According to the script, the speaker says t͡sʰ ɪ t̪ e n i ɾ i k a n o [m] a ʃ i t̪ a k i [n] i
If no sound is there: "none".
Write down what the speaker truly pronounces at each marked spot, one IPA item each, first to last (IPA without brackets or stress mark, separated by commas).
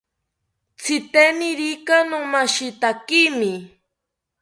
m, m